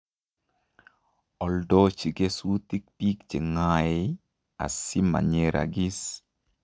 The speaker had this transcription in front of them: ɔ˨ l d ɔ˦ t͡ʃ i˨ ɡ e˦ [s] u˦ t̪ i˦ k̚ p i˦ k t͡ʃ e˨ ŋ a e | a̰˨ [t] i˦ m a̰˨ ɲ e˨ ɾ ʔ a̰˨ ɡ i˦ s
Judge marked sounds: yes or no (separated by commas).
yes, no